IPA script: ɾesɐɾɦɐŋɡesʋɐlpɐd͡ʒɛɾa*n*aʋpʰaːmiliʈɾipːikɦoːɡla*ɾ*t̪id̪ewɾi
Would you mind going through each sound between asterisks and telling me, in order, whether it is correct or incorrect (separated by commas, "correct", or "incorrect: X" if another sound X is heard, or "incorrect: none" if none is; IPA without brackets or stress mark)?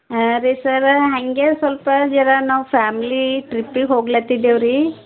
correct, incorrect: none